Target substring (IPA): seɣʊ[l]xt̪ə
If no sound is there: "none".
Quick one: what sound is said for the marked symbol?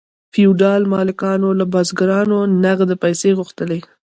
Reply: none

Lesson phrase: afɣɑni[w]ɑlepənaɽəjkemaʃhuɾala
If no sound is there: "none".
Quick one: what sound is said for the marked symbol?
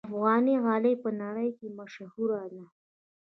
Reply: ɣ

